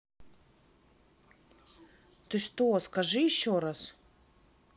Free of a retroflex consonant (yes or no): no